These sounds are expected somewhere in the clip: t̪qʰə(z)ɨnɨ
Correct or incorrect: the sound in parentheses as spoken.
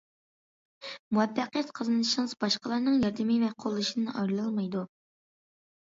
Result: correct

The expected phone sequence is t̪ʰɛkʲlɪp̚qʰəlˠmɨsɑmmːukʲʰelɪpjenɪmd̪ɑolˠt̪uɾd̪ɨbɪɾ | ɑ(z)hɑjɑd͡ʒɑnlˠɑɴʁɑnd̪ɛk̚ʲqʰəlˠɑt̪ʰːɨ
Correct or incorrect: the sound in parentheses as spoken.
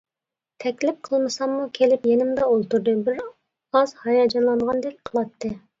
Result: correct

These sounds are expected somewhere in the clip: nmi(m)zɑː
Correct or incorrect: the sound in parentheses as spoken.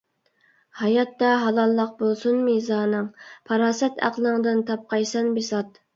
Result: incorrect: none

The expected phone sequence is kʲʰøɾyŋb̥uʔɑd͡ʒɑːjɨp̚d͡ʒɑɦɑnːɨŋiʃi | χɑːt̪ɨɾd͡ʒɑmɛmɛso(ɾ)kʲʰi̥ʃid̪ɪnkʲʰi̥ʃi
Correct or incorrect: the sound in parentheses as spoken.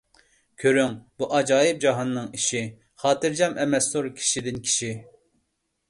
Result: correct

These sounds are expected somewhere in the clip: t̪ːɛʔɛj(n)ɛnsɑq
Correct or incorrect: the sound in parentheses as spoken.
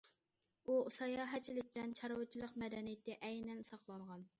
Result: correct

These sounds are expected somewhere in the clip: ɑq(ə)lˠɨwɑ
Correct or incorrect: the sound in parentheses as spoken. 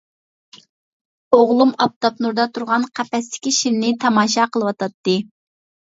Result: correct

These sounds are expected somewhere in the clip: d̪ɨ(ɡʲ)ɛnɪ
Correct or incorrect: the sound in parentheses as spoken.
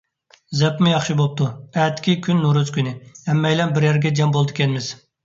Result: incorrect: kʲ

